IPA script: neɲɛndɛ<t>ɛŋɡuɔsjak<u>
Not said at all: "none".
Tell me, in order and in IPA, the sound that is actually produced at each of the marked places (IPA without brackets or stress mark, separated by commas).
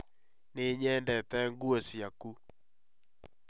t, u